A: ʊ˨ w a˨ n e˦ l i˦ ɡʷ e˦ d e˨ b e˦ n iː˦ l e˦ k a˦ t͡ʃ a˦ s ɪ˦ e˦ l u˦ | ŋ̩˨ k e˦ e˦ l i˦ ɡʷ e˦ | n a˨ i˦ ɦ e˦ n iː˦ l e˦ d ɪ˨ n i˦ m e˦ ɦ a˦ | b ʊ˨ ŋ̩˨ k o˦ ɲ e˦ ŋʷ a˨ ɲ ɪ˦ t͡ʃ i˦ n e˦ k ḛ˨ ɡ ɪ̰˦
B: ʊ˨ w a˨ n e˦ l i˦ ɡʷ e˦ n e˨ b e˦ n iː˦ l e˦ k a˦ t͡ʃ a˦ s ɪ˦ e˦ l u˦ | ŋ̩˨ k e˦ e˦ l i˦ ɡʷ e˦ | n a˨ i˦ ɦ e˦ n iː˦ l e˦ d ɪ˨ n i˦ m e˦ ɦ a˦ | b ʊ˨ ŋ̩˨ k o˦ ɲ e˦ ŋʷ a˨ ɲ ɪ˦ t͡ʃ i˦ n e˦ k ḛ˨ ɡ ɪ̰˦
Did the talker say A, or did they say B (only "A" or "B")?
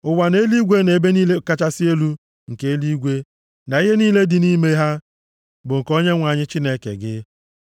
B